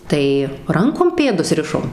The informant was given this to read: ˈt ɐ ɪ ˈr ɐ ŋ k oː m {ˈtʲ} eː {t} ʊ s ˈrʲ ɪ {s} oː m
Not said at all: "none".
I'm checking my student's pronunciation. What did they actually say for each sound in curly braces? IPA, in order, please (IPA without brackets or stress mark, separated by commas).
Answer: pʲ, d, ʃ